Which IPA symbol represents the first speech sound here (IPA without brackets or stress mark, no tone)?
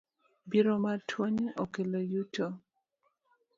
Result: b